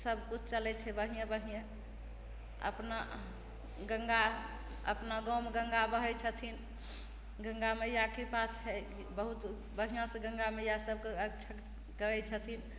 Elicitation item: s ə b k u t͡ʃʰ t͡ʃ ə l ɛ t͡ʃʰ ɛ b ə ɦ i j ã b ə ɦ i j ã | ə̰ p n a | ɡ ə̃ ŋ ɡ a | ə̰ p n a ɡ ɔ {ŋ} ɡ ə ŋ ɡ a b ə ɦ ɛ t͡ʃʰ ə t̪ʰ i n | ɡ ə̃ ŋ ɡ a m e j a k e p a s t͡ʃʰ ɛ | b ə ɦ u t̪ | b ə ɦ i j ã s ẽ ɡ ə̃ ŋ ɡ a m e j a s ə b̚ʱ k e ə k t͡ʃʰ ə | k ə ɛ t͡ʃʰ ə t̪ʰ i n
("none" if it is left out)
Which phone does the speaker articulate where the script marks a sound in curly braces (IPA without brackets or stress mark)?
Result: m